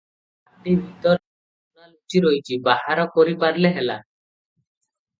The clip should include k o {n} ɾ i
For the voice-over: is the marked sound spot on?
no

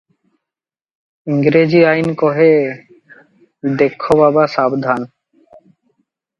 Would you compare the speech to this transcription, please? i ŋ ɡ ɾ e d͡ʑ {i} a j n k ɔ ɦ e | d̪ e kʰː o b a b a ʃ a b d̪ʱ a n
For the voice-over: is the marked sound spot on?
yes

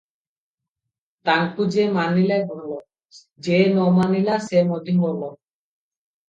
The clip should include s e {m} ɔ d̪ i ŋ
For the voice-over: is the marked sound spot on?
yes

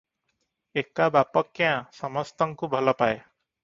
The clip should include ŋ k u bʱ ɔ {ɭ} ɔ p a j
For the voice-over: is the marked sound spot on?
no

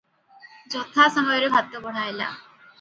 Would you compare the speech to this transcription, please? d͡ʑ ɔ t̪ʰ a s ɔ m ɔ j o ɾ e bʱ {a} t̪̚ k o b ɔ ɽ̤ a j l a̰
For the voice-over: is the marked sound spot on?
yes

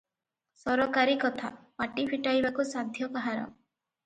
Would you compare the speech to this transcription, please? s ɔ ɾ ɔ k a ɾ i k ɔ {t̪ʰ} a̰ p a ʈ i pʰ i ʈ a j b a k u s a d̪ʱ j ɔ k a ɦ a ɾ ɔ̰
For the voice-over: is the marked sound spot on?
yes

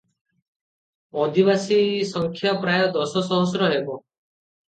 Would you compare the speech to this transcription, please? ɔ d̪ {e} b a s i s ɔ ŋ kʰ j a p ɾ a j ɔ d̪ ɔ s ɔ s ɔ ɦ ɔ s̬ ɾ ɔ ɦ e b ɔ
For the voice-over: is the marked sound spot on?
no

